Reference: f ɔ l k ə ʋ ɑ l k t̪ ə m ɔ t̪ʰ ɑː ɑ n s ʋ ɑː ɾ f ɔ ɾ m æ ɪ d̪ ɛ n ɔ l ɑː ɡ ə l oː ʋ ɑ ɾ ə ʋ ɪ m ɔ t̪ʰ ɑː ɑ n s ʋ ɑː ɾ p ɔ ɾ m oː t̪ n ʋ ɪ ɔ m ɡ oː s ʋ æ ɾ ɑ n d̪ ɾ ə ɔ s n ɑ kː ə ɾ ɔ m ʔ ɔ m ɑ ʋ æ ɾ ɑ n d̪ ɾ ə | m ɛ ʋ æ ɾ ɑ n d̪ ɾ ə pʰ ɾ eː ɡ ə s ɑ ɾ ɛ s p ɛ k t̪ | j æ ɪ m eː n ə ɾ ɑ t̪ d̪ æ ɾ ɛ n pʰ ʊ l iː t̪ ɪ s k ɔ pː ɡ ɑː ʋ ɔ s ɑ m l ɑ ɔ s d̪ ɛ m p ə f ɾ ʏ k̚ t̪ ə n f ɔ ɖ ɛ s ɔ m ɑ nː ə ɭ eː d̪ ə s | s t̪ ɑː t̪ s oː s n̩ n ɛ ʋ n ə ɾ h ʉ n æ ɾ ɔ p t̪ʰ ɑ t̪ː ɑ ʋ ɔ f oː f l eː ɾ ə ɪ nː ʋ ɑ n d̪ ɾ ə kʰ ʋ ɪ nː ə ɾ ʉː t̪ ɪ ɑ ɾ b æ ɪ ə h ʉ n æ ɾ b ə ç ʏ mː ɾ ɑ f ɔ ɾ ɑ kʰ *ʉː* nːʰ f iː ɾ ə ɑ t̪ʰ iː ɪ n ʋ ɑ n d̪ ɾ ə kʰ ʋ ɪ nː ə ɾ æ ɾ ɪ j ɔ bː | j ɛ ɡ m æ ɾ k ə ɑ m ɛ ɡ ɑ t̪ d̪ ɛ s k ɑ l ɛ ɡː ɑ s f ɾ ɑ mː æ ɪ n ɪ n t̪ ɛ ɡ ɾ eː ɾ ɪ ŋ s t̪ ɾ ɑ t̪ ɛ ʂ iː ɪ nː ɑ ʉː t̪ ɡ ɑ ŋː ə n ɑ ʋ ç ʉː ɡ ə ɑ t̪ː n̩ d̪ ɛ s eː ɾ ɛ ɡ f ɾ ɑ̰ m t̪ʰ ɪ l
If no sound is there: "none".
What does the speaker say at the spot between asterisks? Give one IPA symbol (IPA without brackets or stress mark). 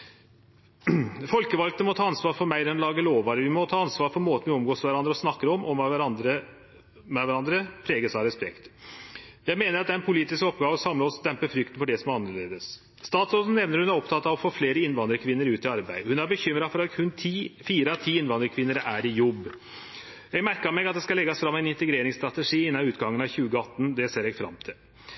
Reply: ʉ